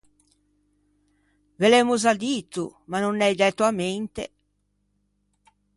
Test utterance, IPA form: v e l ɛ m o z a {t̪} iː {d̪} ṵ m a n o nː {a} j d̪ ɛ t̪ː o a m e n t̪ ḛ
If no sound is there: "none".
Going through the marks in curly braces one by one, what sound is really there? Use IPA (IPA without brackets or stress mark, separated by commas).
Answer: d̪, t̪, ɛ